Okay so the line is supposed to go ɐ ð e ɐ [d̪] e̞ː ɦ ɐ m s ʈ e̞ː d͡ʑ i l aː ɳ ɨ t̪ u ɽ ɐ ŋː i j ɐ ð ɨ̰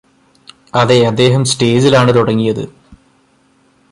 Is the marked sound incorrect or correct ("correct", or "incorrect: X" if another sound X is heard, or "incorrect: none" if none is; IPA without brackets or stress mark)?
incorrect: d̪ː